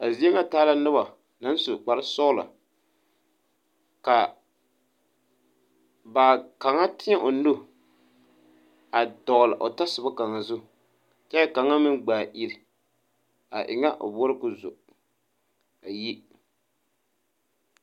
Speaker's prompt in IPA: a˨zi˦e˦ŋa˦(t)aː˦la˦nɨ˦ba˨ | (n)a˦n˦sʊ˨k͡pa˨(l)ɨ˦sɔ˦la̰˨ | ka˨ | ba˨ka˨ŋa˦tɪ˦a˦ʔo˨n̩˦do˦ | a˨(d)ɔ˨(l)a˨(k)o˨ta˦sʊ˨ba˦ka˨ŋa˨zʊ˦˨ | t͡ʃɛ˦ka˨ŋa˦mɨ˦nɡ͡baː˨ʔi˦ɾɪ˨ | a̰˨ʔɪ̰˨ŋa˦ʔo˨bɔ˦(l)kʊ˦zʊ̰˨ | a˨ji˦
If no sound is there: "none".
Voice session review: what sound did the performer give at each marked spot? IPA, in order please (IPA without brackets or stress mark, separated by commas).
t, n, ɾ, d, l, ʔ, ɾ